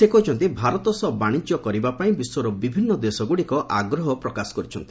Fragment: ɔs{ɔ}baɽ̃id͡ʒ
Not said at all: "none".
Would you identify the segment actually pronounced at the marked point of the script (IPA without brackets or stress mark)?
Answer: ɔ